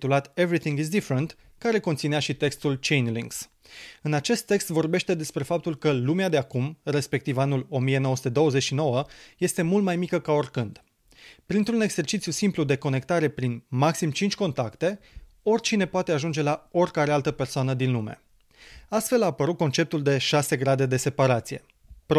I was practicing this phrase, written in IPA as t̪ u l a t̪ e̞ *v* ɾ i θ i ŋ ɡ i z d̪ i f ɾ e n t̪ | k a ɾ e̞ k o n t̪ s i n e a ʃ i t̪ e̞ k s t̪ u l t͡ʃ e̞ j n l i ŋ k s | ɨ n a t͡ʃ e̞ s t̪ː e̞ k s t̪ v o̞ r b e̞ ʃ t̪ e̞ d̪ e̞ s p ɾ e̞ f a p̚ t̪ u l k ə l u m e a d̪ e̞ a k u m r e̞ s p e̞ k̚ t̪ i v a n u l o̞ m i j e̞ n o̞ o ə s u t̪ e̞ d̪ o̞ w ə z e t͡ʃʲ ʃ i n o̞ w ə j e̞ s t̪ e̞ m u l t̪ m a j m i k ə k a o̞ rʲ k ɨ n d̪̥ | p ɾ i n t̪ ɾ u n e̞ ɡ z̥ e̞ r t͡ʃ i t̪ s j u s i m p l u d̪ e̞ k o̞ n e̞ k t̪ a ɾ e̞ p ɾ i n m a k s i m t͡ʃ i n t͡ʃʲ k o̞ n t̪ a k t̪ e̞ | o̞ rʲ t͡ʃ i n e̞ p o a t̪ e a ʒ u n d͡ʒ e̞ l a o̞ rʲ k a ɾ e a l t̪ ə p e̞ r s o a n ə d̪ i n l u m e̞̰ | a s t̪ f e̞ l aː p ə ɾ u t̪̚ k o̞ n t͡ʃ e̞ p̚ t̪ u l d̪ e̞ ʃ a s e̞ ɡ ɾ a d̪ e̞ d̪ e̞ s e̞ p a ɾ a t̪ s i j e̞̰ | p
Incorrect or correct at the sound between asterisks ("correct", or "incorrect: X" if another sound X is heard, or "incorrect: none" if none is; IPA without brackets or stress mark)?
correct